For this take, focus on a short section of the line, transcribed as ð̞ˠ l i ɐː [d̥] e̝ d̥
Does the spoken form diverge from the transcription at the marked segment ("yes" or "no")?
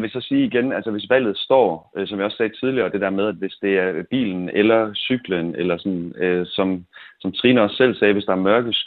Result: no